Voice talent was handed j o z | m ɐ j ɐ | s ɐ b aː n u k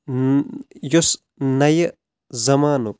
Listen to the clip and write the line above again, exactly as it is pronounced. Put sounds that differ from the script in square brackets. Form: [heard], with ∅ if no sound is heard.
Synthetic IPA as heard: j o [s] | [n] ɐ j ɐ | [z] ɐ [m] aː n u k